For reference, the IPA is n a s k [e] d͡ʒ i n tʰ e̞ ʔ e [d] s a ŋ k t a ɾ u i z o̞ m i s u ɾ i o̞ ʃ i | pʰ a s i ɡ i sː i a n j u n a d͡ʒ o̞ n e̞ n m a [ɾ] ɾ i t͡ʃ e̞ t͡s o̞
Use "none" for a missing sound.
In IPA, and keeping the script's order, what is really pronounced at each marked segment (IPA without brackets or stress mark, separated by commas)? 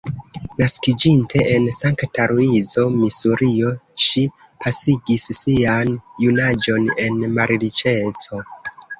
i, n, ɾ